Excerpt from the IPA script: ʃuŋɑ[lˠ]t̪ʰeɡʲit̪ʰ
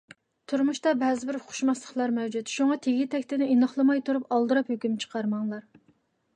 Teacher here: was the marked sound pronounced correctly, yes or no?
no